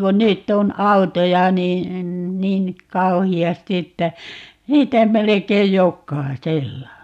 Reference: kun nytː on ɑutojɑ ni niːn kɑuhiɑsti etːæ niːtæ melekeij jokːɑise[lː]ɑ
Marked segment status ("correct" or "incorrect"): correct